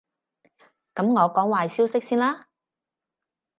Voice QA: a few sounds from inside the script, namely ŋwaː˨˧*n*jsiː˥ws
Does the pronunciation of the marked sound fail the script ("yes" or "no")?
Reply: yes